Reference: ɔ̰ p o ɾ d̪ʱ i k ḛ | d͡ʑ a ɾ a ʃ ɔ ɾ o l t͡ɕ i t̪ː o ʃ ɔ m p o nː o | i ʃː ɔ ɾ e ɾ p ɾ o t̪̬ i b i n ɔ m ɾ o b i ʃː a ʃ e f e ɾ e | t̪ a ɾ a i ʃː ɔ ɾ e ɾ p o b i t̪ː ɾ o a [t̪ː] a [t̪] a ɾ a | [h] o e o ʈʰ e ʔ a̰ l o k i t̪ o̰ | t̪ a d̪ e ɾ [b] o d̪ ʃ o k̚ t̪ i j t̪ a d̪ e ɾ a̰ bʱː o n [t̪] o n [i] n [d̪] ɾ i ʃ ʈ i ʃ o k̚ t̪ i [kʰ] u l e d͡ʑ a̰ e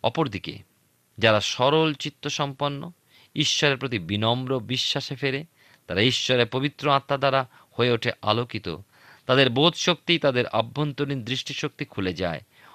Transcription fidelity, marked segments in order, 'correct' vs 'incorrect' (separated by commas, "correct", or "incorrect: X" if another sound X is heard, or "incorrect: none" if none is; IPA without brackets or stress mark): correct, incorrect: d̪, correct, correct, correct, correct, correct, correct